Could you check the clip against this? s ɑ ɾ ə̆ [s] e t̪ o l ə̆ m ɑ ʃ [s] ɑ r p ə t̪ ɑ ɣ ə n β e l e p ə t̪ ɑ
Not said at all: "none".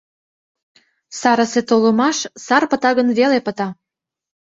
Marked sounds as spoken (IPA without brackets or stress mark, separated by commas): s, s